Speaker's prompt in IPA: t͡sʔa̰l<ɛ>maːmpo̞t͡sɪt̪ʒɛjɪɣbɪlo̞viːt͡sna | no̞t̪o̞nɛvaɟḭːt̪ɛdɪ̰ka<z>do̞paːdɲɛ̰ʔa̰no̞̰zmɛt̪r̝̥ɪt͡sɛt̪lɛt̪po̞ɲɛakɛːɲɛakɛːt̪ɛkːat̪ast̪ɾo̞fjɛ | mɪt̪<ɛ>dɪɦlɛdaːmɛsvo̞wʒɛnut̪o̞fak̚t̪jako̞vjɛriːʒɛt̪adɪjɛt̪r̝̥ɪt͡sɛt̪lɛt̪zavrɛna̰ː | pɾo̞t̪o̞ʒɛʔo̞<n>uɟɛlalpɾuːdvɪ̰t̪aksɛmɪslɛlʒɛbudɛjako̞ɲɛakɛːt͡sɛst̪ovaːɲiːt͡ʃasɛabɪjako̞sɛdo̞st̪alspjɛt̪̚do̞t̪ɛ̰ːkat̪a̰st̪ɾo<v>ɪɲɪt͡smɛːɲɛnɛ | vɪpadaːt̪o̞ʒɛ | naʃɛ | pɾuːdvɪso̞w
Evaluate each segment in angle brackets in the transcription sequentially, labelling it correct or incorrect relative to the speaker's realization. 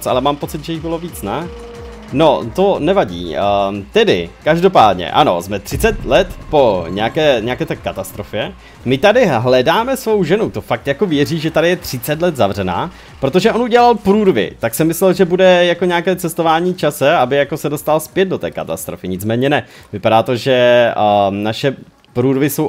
correct, incorrect: ʒ, incorrect: a, correct, incorrect: f

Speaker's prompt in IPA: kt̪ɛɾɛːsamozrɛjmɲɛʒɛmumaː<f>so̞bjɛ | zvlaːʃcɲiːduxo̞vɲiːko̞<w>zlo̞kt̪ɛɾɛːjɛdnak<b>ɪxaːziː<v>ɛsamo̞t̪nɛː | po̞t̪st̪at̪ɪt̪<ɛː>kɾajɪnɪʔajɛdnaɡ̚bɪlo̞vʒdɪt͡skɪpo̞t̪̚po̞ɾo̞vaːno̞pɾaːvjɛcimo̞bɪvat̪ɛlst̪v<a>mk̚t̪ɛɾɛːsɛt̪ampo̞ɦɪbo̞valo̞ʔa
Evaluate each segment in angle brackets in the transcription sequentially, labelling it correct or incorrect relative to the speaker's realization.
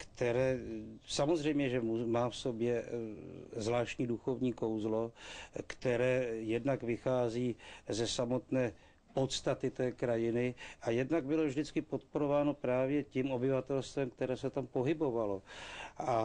correct, correct, incorrect: v, incorrect: z, correct, incorrect: ɛ

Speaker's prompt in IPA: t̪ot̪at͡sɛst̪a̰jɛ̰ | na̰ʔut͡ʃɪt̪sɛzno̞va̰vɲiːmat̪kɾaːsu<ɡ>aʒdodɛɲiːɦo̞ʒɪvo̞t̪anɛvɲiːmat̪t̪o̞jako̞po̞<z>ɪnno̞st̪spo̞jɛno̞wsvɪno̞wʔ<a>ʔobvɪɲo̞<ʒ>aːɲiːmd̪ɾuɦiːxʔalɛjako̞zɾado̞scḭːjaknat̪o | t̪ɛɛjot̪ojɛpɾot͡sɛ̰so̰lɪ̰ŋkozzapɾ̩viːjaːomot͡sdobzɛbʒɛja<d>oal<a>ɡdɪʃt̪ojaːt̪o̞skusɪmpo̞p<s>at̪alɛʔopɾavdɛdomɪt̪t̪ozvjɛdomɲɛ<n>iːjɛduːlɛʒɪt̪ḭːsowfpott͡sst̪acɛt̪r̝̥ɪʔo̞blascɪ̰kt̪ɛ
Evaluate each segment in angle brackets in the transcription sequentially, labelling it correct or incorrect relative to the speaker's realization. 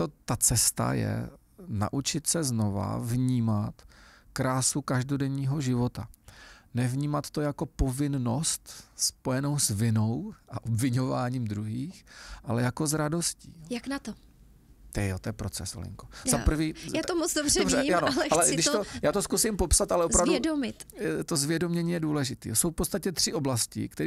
incorrect: k, incorrect: v, correct, incorrect: v, incorrect: n, incorrect: ɛ, correct, incorrect: ɲ

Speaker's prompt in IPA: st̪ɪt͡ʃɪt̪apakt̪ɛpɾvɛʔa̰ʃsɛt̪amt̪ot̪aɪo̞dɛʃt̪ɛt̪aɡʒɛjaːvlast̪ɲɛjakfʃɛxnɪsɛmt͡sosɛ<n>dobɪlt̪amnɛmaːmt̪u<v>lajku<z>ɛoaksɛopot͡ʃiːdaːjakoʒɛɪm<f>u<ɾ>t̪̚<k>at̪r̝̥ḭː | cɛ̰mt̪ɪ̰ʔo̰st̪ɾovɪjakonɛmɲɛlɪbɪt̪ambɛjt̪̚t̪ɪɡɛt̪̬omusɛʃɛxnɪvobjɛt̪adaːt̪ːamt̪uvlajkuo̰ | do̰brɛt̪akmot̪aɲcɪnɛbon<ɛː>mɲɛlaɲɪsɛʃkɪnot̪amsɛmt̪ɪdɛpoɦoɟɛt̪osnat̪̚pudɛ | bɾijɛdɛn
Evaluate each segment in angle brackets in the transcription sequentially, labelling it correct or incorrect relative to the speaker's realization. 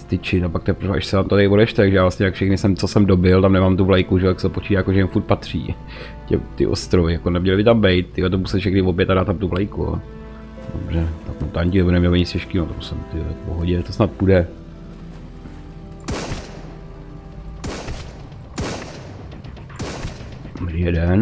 incorrect: m, correct, incorrect: ʒ, correct, correct, incorrect: p, incorrect: ɛ

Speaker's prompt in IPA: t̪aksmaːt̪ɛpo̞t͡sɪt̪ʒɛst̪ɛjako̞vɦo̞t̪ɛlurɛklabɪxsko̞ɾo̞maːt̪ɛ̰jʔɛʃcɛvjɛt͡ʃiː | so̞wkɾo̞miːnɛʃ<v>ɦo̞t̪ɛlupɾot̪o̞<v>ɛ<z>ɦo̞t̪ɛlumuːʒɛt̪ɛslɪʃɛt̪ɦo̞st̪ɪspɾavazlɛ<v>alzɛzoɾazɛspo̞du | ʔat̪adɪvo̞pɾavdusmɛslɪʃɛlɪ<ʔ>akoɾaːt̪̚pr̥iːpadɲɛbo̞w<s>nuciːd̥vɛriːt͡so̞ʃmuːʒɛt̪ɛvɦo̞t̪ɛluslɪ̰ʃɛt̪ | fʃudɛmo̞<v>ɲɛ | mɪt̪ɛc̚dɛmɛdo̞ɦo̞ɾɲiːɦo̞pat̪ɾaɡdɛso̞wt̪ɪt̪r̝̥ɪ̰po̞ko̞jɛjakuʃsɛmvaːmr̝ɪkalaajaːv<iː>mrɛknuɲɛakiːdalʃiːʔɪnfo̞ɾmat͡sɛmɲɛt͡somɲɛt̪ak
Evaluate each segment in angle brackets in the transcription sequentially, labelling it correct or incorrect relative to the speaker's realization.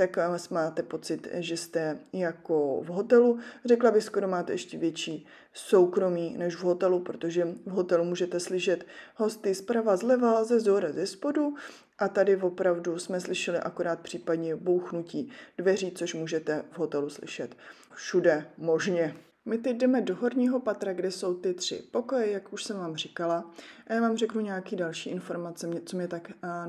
correct, incorrect: ʒ, incorrect: v, correct, correct, incorrect: x, incorrect: ʒ, incorrect: aː

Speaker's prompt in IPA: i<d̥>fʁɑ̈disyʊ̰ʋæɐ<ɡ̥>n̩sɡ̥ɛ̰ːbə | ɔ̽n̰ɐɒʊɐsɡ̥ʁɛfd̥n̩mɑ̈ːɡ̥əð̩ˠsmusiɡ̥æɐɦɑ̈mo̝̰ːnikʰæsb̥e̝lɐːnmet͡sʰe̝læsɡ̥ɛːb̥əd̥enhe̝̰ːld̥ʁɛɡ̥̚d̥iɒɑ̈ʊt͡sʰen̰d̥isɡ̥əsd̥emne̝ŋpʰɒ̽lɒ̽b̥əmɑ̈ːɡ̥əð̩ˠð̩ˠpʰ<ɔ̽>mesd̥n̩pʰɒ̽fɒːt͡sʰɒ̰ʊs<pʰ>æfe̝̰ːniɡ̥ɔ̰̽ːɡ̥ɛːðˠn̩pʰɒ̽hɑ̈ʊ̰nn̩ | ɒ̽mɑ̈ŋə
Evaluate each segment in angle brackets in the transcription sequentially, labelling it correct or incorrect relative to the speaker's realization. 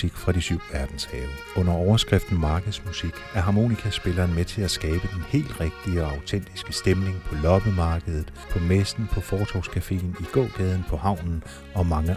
incorrect: ɡ̥, incorrect: d̥, incorrect: ɒ̽, incorrect: kʰ

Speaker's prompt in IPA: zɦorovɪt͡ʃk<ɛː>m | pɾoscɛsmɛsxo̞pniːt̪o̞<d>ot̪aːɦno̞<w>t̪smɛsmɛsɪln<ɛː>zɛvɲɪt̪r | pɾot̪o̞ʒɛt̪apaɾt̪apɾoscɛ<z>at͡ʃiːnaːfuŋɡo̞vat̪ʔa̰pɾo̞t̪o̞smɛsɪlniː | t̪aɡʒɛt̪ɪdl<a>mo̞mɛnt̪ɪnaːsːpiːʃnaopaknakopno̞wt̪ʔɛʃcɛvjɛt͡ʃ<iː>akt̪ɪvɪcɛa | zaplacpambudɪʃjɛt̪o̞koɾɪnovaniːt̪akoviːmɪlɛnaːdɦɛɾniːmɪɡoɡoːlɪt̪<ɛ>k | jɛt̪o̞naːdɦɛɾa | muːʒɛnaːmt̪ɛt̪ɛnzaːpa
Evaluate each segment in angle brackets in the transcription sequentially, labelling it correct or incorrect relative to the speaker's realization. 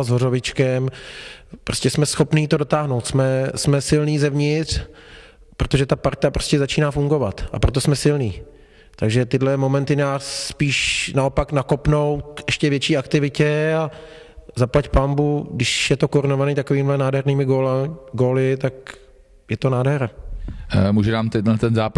incorrect: ɛ, correct, correct, incorrect: iː, correct, incorrect: ɛ, correct, incorrect: a

